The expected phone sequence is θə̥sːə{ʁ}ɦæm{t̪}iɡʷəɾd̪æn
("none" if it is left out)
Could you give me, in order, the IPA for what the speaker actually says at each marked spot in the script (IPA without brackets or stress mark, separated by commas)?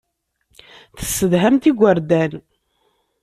ð, t̪